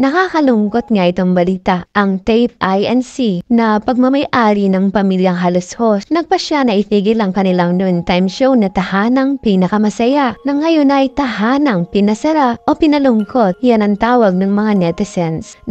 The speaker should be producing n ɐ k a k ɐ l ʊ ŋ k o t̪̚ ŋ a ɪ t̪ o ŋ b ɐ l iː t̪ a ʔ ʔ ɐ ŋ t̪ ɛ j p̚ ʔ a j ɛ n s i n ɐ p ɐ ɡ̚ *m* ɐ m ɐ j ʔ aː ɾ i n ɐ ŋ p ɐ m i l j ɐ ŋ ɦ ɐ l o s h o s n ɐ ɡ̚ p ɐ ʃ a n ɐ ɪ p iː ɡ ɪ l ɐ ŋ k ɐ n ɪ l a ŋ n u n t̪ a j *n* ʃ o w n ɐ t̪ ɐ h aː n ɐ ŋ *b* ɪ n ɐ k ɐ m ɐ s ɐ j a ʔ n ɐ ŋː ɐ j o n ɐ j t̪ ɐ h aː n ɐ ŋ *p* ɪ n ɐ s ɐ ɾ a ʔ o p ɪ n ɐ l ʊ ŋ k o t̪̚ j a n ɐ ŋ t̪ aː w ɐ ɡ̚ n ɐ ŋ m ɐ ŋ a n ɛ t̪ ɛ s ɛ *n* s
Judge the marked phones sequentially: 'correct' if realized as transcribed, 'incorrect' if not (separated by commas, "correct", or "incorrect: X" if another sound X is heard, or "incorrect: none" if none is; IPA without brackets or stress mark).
correct, incorrect: m, incorrect: p, correct, correct